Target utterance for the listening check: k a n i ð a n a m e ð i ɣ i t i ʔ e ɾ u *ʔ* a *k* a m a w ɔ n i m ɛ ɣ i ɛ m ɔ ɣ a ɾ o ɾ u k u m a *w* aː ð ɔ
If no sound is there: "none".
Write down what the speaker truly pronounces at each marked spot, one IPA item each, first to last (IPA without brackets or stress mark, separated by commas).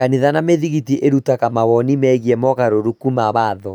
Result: t, k, β